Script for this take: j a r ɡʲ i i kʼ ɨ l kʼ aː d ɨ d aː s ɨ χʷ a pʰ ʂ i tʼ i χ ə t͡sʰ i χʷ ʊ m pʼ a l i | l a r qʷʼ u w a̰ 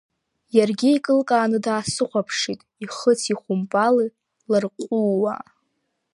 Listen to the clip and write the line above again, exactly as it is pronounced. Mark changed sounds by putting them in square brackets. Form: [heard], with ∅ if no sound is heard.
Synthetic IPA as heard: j a r ɡʲ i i kʼ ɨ l kʼ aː [n] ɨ d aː s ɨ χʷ a pʰ ʂ i tʼ i χ ə t͡sʰ i χʷ ʊ m pʼ a l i | l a r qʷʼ u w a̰